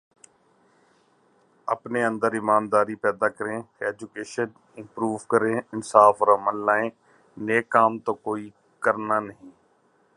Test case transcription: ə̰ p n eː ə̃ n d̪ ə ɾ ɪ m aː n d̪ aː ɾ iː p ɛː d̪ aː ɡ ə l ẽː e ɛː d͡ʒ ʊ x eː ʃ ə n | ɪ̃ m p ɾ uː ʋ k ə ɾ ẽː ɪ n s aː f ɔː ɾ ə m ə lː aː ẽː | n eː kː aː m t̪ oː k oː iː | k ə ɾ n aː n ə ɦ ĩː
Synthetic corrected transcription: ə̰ p n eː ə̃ n d̪ ə ɾ ɪ m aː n d̪ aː ɾ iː p ɛː d̪ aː k ə ɾ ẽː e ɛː d͡ʒ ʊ k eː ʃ ə n | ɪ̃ m p ɾ uː ʋ k ə ɾ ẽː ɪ n s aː f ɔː ɾ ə m ə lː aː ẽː | n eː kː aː m t̪ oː k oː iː | k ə ɾ n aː n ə ɦ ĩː